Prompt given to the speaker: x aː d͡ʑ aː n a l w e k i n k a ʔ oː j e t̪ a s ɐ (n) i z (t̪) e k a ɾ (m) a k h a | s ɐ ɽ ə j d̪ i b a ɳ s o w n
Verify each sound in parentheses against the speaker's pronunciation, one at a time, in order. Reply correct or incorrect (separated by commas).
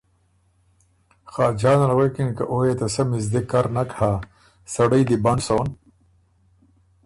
incorrect, incorrect, incorrect